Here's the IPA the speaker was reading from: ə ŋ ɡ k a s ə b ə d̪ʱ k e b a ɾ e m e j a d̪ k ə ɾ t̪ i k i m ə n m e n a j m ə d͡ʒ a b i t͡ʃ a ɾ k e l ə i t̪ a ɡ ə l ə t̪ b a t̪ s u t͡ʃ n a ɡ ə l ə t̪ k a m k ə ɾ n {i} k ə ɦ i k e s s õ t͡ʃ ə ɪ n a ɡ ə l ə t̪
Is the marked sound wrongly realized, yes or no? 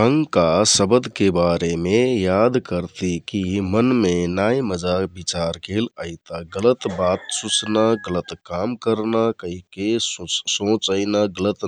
yes